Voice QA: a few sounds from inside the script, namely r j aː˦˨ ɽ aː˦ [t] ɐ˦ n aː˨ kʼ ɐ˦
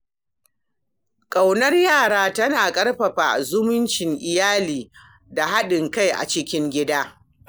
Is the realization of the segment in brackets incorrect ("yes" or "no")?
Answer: no